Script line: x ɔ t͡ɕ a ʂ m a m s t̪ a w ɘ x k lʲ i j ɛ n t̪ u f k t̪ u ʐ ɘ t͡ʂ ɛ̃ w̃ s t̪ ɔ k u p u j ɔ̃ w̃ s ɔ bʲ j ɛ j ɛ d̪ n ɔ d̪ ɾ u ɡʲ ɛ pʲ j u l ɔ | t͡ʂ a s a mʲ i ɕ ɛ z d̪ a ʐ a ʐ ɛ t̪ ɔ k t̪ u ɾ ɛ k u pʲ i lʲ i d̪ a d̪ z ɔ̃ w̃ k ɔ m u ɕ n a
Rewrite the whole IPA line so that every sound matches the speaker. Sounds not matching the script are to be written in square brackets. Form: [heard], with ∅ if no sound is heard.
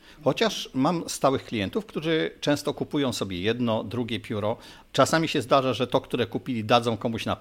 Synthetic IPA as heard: x ɔ t͡ɕ a ʂ m a m s t̪ a w ɘ x k lʲ i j ɛ n t̪ u f k t̪ u ʐ ɘ t͡ʂ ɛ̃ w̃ s t̪ ɔ k u p u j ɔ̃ w̃ s ɔ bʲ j ɛ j ɛ d̪ n ɔ d̪ ɾ u ɡʲ ɛ pʲ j u [ɾ] ɔ | t͡ʂ a s a mʲ i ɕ ɛ z d̪ a ʐ a ʐ ɛ t̪ ɔ k t̪ u ɾ ɛ k u pʲ i lʲ i d̪ a d̪ z ɔ̃ w̃ k ɔ m u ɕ n a